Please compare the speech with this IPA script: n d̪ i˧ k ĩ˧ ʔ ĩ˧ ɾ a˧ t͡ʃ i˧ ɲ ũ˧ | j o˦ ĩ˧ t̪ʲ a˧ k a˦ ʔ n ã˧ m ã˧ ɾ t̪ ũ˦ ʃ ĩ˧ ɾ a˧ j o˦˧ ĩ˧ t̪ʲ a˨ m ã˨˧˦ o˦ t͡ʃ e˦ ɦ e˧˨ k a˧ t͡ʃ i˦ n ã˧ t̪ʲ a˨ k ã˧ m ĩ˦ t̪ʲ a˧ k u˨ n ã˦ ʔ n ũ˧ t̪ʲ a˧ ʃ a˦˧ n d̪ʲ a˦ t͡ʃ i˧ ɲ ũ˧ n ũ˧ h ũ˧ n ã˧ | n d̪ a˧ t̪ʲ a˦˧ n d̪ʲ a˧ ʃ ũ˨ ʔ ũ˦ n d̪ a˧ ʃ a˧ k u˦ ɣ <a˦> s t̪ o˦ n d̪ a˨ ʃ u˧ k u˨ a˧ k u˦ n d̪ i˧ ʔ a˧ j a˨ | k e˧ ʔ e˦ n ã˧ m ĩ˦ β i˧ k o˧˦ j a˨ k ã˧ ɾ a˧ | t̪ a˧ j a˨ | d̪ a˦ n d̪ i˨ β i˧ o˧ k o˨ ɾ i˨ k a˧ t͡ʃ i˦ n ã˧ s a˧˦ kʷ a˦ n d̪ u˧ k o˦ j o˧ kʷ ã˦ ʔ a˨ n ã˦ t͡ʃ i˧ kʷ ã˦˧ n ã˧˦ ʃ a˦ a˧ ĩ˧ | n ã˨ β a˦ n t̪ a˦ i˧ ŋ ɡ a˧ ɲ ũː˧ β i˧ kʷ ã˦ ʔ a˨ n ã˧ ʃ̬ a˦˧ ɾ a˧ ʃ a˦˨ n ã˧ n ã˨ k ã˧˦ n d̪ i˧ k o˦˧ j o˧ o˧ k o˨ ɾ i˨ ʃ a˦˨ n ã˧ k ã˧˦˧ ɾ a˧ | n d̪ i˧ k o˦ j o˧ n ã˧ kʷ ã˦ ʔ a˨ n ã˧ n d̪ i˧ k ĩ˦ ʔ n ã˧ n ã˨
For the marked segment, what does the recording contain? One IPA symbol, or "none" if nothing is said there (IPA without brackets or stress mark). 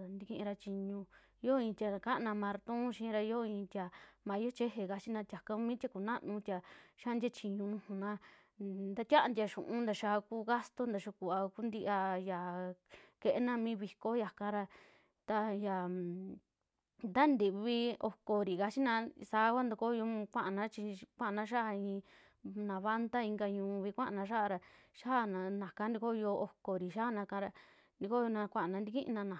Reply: a˦